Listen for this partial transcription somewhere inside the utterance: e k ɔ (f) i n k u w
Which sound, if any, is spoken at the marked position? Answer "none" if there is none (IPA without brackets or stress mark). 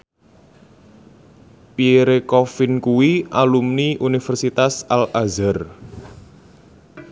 f